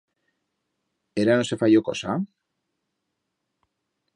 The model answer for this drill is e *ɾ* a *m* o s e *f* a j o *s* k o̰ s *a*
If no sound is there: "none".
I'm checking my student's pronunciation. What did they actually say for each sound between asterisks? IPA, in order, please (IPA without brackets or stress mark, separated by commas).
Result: ɾ, n, f, none, a